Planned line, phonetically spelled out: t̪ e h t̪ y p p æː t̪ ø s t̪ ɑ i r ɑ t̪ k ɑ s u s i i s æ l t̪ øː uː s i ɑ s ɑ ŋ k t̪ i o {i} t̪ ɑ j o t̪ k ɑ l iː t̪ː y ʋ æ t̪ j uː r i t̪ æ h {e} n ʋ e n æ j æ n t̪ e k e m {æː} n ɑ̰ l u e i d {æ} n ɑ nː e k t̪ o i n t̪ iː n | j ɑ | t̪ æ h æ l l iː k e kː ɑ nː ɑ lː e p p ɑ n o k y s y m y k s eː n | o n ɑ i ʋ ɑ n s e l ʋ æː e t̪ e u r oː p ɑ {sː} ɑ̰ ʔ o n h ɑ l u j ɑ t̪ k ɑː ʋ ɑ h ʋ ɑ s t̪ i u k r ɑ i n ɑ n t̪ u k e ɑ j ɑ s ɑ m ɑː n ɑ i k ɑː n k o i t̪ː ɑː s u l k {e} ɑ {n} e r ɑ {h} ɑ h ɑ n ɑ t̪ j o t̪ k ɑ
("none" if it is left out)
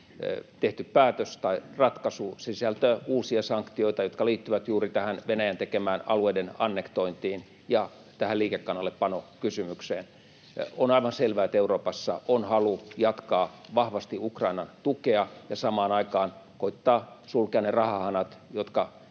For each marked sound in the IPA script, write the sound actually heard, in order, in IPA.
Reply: i, æ, æː, e, sː, e, n, h

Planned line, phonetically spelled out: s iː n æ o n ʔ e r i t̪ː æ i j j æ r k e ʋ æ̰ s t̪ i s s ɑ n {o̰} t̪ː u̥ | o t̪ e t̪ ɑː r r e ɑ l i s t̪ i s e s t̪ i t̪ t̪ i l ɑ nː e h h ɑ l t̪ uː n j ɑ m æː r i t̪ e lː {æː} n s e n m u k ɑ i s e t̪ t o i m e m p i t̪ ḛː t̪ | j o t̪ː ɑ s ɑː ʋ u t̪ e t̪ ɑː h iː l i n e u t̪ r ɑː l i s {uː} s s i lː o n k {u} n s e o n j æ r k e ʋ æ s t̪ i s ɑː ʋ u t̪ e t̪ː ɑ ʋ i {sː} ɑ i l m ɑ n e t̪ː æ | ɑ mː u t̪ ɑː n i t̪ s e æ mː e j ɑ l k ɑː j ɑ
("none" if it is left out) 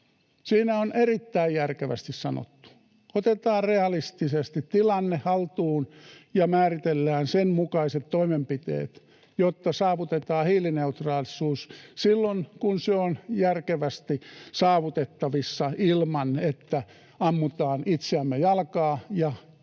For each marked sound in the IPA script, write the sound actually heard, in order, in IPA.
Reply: o̰, æː, uː, u, sː

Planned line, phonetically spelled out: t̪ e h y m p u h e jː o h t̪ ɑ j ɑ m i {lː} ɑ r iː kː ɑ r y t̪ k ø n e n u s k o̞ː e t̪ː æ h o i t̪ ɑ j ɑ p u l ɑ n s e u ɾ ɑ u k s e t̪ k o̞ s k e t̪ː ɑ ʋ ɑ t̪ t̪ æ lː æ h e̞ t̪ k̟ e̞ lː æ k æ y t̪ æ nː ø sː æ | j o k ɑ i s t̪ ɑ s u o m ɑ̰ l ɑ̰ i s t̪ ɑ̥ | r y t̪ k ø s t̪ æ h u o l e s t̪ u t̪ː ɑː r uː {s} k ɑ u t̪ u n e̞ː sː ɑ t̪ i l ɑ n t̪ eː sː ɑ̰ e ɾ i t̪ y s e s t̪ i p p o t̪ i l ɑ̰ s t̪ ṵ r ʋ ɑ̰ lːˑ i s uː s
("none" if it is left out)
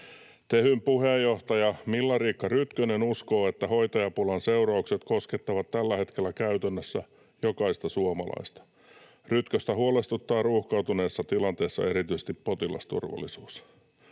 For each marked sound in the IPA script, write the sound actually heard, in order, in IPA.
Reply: lː, h

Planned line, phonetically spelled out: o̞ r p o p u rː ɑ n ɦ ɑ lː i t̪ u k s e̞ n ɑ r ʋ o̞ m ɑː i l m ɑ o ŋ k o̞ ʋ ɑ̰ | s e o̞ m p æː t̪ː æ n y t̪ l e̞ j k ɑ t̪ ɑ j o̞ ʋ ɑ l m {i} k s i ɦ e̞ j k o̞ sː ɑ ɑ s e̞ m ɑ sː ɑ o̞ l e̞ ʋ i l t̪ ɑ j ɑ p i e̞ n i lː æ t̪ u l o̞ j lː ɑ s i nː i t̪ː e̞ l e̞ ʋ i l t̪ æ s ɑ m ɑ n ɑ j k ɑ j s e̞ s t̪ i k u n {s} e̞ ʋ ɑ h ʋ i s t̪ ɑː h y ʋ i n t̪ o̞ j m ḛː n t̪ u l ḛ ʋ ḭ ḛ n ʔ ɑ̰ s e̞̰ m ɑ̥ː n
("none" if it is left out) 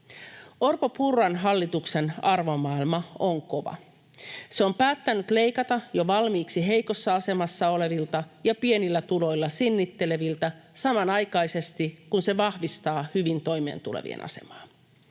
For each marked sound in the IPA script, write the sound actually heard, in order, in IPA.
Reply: iː, s

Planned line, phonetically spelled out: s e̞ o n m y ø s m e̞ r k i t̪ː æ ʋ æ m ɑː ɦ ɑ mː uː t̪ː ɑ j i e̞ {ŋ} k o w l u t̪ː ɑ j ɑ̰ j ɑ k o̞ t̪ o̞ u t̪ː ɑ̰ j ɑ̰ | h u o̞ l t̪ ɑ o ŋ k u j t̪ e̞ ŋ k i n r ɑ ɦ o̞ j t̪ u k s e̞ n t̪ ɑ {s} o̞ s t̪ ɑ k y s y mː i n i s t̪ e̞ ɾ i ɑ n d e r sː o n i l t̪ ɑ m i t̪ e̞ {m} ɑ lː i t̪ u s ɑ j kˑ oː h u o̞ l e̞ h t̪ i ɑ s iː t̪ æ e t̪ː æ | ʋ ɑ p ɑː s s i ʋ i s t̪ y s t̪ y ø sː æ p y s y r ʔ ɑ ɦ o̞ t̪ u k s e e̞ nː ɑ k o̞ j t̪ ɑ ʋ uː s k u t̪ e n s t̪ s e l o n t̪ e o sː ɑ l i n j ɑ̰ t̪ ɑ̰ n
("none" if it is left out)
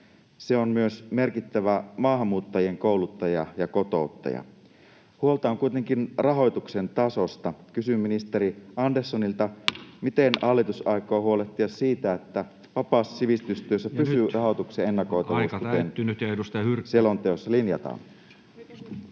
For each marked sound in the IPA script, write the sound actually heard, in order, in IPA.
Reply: ŋ, s, n

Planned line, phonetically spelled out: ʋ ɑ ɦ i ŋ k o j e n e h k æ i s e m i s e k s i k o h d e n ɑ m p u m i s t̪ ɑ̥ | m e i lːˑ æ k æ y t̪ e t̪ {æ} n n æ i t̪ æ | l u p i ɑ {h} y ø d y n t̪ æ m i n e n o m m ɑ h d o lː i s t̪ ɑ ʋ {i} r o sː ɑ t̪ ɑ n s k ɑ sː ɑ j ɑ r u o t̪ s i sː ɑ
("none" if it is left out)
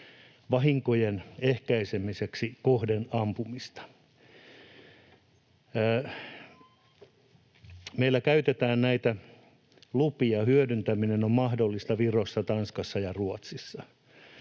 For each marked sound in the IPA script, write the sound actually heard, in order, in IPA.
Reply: æː, h, i

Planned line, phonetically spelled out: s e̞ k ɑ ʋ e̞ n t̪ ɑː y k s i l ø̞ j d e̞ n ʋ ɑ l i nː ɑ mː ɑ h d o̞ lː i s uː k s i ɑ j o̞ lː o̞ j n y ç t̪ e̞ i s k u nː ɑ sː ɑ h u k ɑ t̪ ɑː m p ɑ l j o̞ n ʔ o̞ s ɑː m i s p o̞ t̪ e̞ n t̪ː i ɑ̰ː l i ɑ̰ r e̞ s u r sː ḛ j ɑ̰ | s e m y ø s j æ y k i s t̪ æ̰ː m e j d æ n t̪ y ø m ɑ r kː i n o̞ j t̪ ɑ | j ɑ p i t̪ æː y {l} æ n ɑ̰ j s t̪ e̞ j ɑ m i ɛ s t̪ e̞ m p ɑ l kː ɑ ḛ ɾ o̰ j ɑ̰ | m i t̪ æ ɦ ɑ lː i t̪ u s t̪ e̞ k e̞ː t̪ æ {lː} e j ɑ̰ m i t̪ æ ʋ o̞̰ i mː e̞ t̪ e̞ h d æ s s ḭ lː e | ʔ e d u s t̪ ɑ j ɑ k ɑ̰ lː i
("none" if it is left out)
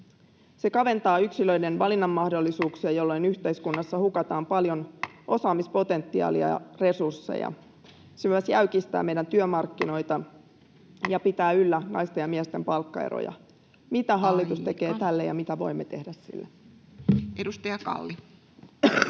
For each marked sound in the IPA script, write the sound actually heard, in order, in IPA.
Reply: lː, lː

